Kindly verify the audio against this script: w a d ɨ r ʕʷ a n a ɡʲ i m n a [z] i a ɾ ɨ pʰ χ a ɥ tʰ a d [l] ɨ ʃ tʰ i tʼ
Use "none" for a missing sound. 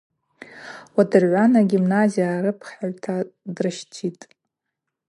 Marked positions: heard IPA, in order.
z, r

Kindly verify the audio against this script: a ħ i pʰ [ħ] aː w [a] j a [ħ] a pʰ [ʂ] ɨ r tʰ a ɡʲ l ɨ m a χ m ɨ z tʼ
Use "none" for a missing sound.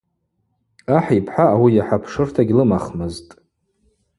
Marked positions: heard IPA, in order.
ħ, i, ħ, ʂ

